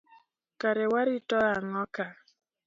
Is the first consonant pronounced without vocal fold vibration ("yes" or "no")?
yes